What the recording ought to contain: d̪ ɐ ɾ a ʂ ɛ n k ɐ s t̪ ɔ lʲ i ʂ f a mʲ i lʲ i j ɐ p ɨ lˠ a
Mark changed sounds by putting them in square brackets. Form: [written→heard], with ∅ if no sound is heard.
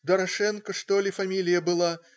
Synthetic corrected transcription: d̪ ɐ ɾ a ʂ ɛ n k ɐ [s→ʂ] t̪ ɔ lʲ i [ʂ→∅] f a mʲ i lʲ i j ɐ [p→b] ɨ lˠ a